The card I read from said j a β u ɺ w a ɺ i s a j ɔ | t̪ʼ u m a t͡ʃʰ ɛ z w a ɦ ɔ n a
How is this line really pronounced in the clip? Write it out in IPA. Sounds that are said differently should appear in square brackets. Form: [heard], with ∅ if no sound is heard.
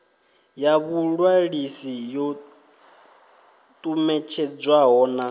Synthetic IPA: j a β u ɺ w a ɺ i s [i] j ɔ | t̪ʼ u m [ɛ] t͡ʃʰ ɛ [d͡z] w a ɦ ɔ n a